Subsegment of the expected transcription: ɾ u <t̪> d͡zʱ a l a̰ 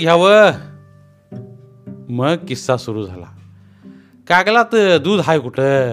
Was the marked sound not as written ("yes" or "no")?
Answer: yes